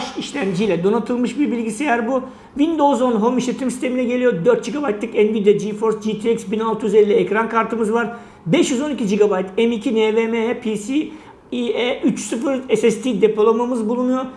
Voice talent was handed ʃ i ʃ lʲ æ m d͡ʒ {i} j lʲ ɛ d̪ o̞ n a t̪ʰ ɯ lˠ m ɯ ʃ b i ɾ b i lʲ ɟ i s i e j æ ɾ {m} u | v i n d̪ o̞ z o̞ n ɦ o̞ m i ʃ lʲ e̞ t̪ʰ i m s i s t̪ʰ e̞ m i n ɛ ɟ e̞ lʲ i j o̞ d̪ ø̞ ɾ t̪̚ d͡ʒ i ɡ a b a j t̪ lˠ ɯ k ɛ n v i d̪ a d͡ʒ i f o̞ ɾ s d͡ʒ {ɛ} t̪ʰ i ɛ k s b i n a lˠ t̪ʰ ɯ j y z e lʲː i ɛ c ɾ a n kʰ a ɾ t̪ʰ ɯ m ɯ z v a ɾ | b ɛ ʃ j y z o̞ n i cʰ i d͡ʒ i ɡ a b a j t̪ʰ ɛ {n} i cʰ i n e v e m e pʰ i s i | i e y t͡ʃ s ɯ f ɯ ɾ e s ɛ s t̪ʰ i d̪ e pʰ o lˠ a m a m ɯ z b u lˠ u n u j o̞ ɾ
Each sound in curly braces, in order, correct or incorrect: correct, incorrect, incorrect, incorrect

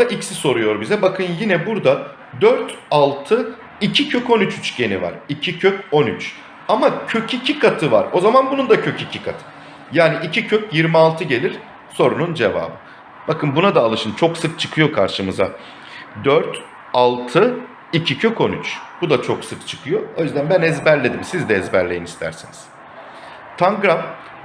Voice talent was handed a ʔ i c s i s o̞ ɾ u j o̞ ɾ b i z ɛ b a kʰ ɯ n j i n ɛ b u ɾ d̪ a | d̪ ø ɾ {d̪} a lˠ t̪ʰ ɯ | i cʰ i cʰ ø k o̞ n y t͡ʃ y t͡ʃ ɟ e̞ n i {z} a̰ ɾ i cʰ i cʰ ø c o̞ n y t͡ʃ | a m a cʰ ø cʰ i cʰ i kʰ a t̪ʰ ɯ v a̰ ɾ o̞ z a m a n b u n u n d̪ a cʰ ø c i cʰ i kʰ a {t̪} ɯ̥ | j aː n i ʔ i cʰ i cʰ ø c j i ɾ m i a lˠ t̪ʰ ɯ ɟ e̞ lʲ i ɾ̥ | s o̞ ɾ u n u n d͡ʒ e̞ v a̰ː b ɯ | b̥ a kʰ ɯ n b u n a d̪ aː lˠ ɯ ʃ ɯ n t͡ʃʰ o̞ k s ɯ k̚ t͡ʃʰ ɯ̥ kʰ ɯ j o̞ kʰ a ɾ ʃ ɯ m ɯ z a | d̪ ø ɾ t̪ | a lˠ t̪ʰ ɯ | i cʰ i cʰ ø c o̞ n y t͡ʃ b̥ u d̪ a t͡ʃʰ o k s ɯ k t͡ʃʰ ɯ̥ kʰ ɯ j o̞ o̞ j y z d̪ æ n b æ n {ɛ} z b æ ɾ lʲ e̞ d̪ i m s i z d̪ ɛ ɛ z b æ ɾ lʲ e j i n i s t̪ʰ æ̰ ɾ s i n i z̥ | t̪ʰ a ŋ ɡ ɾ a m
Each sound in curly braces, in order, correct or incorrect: incorrect, incorrect, incorrect, correct

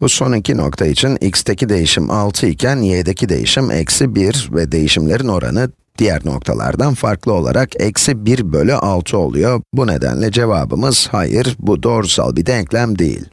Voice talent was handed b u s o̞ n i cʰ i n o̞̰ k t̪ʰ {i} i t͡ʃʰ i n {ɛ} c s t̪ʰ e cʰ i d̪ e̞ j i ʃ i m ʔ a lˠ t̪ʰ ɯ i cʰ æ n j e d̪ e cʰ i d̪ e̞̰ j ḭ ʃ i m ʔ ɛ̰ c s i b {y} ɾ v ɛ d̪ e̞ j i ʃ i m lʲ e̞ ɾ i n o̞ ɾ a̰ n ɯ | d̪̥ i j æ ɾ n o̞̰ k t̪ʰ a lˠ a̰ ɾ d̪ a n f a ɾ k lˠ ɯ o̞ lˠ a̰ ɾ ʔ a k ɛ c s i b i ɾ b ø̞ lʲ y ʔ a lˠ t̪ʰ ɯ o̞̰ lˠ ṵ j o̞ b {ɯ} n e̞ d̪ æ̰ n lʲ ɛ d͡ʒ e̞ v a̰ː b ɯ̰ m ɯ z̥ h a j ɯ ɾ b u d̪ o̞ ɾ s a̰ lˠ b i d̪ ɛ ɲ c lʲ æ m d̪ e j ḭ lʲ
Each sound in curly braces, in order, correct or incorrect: incorrect, incorrect, incorrect, incorrect

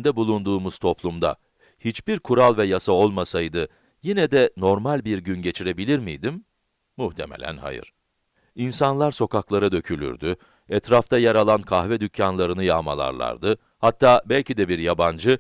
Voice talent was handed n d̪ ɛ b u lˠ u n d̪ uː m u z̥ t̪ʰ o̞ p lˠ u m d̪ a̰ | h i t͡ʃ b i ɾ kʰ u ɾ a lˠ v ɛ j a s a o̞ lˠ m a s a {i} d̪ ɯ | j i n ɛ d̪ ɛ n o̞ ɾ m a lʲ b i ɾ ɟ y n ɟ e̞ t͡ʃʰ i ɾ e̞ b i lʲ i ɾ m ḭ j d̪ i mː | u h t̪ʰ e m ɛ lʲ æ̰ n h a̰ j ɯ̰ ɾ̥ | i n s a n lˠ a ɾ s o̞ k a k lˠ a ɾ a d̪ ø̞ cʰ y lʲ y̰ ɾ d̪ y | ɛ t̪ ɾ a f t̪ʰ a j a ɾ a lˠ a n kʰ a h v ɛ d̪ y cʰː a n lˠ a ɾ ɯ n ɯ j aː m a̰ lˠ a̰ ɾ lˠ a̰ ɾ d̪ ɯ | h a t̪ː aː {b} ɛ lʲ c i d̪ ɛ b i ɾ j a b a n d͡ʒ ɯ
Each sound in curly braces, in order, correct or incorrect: incorrect, correct

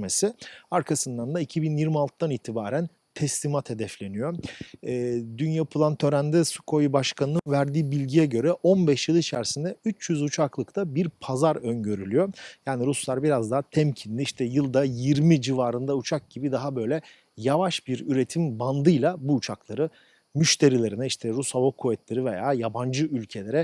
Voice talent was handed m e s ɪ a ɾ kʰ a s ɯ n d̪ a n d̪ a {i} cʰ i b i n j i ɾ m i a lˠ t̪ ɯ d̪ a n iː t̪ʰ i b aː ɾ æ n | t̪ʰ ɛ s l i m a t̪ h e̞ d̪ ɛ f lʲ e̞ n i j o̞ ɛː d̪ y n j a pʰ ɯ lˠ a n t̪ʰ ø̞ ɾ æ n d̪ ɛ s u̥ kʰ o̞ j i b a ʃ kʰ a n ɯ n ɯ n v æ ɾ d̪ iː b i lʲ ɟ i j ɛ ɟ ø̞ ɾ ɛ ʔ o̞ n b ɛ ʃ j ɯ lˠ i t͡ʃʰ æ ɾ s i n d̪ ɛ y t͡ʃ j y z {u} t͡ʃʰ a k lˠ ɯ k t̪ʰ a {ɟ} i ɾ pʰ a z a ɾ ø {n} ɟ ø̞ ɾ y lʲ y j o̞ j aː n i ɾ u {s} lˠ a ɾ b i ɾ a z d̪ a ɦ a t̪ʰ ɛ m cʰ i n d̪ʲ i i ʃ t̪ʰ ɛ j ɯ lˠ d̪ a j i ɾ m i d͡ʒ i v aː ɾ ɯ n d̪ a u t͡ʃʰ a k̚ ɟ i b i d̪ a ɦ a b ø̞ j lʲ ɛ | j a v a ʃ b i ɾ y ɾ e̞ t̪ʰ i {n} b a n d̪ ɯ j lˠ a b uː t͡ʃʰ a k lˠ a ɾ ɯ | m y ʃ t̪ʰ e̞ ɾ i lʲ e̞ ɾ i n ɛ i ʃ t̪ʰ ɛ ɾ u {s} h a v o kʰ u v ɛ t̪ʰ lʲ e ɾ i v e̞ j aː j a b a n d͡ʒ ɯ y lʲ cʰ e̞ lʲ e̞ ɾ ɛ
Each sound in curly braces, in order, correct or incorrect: correct, correct, incorrect, correct, correct, incorrect, correct

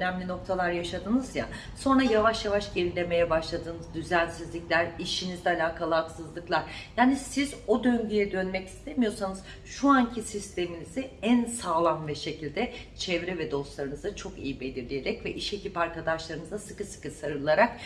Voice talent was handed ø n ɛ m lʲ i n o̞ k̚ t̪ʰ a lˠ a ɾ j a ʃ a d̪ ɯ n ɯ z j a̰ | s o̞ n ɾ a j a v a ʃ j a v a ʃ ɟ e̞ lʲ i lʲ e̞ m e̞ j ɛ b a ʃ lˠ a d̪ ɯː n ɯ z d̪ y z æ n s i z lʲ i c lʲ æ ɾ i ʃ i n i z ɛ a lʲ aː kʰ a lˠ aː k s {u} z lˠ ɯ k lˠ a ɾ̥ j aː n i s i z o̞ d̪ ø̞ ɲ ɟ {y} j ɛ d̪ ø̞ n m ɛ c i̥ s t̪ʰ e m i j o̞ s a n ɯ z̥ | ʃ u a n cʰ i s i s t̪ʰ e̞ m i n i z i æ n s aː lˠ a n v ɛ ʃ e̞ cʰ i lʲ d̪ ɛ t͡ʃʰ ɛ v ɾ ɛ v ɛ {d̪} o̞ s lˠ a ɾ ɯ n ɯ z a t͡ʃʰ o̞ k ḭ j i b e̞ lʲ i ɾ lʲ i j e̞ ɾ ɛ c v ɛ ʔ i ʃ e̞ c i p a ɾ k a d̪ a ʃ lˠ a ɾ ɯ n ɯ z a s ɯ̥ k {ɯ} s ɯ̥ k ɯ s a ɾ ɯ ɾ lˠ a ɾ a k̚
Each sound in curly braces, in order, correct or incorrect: incorrect, correct, correct, correct

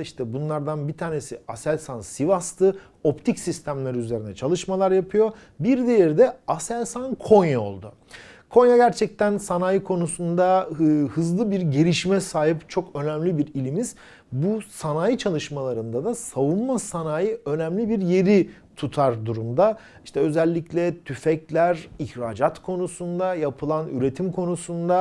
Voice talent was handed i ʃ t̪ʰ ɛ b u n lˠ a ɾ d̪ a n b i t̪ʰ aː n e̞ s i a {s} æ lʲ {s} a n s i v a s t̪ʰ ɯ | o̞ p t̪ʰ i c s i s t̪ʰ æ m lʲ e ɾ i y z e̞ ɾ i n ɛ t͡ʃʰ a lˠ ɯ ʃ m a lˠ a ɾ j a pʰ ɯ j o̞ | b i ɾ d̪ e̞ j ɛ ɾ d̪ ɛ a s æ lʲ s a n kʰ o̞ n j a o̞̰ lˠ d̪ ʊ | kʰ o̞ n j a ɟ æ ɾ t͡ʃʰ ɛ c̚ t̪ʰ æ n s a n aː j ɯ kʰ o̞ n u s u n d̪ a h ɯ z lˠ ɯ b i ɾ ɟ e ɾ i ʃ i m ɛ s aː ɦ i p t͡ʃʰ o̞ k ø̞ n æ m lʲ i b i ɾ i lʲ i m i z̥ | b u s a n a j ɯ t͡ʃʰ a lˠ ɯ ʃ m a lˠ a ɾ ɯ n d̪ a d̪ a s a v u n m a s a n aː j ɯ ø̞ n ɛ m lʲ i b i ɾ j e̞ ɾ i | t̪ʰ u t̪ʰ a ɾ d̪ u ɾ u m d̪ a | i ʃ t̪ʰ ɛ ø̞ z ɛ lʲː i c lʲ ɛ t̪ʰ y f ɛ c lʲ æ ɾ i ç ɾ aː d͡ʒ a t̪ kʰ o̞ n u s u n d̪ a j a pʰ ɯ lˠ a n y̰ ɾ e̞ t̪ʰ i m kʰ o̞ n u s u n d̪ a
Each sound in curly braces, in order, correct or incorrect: correct, correct

